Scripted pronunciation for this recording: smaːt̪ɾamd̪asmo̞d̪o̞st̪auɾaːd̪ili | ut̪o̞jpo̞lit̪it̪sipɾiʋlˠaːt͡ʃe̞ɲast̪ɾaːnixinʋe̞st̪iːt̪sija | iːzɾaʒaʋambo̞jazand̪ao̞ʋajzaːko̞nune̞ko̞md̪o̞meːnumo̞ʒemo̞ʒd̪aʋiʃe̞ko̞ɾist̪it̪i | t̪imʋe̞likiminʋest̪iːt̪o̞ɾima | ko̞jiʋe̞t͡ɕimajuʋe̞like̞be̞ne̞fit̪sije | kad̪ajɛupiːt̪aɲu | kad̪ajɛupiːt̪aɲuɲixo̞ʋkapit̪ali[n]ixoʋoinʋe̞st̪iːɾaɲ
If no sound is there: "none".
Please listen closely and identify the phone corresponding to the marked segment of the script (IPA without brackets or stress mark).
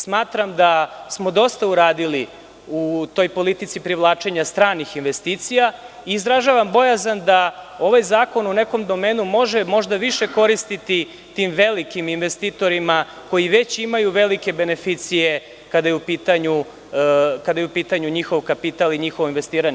ɲ